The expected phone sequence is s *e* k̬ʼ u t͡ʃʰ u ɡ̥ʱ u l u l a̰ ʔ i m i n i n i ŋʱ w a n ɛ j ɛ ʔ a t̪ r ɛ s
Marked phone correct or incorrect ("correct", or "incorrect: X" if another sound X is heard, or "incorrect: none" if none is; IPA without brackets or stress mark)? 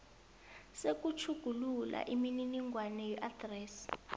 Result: correct